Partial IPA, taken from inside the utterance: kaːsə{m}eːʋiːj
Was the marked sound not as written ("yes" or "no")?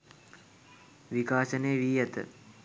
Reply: yes